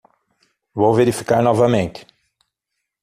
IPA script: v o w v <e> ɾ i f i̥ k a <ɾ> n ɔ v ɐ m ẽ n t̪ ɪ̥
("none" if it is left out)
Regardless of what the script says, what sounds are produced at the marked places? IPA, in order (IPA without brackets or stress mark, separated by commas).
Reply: e, ɾ